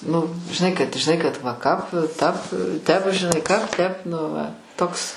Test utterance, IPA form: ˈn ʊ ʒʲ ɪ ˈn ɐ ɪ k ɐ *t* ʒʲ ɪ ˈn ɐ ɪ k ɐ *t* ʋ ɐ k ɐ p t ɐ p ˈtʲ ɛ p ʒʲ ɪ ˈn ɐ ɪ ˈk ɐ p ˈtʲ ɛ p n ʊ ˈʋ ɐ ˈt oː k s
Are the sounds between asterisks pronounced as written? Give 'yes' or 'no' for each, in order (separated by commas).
yes, yes